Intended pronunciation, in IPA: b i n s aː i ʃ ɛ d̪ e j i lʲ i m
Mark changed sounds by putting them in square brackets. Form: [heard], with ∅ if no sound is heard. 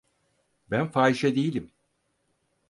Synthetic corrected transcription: b [æ] n [f] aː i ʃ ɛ d̪ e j i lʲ i m